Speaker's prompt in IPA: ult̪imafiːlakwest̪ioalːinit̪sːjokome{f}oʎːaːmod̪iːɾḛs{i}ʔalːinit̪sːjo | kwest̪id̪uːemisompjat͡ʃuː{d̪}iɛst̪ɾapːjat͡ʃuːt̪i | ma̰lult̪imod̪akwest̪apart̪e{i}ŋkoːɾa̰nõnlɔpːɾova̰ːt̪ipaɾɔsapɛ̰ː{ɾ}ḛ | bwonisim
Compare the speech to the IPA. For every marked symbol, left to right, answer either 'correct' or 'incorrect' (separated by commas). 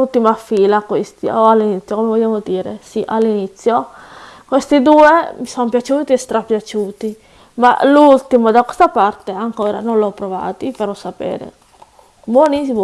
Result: incorrect, correct, incorrect, incorrect, correct